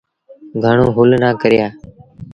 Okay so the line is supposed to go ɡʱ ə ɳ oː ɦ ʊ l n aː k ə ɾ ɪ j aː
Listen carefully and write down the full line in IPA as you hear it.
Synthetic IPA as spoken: ɡʱ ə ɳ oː ɦ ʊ l n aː k ə ɾ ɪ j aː